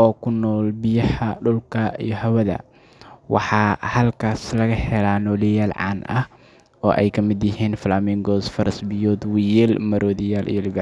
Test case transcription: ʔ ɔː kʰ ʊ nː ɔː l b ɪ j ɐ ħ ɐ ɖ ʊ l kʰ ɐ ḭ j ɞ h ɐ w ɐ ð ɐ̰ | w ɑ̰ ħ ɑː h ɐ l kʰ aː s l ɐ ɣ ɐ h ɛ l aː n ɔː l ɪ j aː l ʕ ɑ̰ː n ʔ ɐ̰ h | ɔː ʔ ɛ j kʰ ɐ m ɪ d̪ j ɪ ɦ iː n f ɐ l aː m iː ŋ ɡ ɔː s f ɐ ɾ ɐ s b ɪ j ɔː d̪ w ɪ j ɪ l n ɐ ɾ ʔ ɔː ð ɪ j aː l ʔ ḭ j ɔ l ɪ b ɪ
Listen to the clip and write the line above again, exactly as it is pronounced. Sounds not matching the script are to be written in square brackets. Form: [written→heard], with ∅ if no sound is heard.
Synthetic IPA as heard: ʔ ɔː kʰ ʊ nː ɔː l b ɪ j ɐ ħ ɐ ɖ ʊ l kʰ ɐ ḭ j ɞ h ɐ w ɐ ð ɐ̰ | w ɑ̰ ħ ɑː h ɐ l kʰ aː s l ɐ ɣ ɐ h ɛ l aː n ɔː l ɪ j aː l ʕ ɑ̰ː n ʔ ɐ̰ h | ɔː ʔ ɛ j kʰ ɐ m ɪ d̪ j ɪ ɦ iː n f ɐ l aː m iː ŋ ɡ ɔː s f ɐ ɾ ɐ s b ɪ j ɔː d̪ w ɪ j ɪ l [n→m] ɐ ɾ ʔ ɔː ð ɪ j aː l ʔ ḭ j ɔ l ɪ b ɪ